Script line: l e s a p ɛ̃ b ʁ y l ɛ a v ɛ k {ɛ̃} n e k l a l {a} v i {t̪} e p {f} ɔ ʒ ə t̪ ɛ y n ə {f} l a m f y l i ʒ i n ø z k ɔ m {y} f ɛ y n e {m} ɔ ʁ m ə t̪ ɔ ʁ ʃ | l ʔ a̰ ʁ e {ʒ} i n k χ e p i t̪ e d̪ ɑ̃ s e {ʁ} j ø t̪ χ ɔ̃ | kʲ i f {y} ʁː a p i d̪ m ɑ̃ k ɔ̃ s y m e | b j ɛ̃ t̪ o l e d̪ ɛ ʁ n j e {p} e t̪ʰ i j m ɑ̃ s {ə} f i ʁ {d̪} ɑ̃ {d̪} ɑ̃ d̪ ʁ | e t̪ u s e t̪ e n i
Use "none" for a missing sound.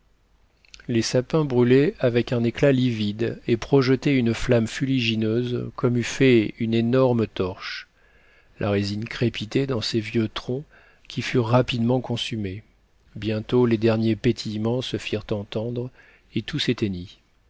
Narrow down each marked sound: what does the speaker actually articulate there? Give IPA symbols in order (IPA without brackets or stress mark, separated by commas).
ɛ̃, i, d̪, χ, f, y, n, z, v, y, p, ə, t̪, t̪